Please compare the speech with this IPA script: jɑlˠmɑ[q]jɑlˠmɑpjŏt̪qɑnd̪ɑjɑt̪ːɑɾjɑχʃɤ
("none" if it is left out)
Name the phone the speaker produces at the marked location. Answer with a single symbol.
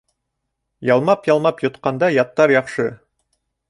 p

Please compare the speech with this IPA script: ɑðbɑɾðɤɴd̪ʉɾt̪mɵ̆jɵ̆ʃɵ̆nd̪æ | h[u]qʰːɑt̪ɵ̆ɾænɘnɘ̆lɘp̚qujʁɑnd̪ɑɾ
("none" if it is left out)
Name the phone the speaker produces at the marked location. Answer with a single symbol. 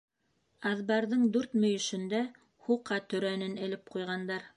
u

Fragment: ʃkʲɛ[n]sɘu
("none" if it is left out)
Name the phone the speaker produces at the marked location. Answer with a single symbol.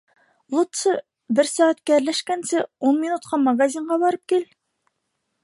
n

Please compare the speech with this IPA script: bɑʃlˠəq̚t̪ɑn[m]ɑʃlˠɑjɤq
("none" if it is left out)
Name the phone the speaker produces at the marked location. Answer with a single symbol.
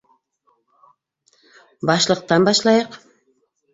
b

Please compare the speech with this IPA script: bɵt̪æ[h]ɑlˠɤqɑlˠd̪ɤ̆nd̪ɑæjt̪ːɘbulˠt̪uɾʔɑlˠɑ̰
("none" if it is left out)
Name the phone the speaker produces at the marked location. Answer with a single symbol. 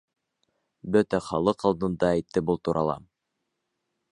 χ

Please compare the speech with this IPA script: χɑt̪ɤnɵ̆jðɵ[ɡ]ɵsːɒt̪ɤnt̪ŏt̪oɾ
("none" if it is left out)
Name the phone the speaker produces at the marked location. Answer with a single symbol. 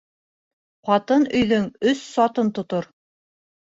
ŋ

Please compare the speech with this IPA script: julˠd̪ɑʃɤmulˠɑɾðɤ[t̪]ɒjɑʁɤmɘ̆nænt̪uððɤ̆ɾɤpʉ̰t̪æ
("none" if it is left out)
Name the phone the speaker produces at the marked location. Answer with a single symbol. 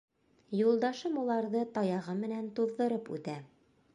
t̪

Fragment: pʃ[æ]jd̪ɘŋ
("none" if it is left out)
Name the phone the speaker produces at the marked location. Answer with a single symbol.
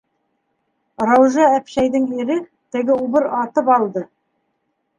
æ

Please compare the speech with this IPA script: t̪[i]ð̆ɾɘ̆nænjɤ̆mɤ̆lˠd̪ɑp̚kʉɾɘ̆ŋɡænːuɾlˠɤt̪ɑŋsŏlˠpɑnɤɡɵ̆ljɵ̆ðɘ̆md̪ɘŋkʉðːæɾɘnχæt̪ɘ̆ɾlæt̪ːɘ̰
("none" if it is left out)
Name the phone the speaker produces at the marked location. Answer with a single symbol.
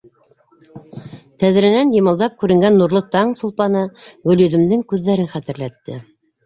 æ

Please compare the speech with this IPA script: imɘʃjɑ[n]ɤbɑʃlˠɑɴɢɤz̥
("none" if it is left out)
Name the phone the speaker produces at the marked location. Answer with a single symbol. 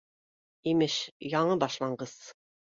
ɴ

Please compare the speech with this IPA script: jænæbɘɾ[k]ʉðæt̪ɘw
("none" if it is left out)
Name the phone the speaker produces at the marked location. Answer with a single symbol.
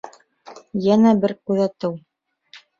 k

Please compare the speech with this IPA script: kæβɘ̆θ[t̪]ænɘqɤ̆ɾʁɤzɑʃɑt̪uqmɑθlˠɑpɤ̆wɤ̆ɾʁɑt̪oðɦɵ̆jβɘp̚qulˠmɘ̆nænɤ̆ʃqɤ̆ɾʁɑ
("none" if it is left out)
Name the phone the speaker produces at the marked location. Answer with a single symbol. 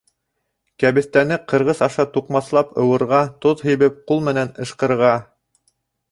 t̪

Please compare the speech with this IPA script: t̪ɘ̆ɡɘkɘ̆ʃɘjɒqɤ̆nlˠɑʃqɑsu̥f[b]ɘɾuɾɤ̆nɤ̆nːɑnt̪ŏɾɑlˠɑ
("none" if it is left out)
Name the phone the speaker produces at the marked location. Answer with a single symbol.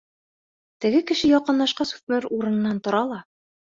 m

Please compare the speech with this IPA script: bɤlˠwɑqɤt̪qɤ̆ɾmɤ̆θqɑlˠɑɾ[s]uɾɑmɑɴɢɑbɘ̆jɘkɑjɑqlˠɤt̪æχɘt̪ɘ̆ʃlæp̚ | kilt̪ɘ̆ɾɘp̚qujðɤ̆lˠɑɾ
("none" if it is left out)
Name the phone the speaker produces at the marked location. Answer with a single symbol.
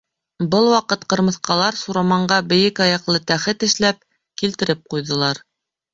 s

